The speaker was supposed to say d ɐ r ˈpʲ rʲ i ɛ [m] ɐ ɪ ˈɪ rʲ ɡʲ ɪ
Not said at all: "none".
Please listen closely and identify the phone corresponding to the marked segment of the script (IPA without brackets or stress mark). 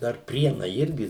n